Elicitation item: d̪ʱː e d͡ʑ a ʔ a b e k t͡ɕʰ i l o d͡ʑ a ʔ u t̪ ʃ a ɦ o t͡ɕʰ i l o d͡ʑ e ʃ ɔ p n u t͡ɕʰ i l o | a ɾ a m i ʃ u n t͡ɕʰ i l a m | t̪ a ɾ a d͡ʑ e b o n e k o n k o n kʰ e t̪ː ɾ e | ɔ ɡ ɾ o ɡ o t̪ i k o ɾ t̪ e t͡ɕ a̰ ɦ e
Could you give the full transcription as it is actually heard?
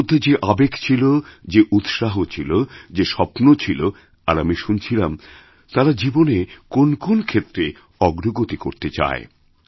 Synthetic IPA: d̪ʱː e d͡ʑ e ʔ a b e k t͡ɕʰ i l o d͡ʑ e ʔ u t̪ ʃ a ɦ o t͡ɕʰ i l o d͡ʑ e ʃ ɔ p n o t͡ɕʰ i l o | a ɾ a m i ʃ u n t͡ɕʰ i l a m | t̪ a ɾ a d͡ʑ i b o n e k o n k o n kʰ e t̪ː ɾ e | ɔ ɡ ɾ o ɡ o t̪ i k o ɾ t̪ e t͡ɕ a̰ e